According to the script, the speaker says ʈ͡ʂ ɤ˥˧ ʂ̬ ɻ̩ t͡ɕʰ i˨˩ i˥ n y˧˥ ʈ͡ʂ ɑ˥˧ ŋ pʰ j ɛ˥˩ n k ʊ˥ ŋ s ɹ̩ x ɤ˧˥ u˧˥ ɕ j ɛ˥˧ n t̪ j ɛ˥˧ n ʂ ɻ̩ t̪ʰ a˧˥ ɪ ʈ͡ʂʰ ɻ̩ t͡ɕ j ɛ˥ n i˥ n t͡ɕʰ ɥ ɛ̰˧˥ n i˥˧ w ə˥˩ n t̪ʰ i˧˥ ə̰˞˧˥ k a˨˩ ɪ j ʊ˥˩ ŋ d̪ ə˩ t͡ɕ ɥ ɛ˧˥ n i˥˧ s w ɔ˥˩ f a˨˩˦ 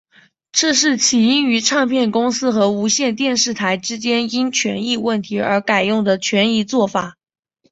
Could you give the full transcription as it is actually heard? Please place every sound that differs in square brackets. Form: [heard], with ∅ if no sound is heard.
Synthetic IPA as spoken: ʈ͡ʂ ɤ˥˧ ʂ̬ ɻ̩ t͡ɕʰ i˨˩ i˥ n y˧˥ [ʈ͡ʂʰ] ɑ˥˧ ŋ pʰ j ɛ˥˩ n k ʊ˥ ŋ s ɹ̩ x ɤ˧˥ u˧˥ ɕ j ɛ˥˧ n t̪ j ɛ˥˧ n ʂ ɻ̩ t̪ʰ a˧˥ ɪ [ʈ͡ʂ] ɻ̩ t͡ɕ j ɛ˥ n i˥ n t͡ɕʰ ɥ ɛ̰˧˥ n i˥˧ w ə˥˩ n t̪ʰ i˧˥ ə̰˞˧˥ k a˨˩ ɪ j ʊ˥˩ ŋ d̪ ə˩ [t͡ɕʰ] ɥ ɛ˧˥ n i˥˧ [t͡s] w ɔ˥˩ f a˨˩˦